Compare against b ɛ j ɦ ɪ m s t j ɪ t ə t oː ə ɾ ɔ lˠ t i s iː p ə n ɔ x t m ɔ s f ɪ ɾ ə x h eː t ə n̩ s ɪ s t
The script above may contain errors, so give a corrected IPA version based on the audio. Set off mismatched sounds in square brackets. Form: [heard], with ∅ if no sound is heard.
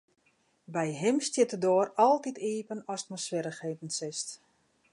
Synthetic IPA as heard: b ɛ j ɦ ɪ m s t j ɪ t ə [d] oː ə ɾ ɔ lˠ t i [t] iː p ə n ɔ [s] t m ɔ s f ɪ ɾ ə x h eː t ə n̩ s ɪ s t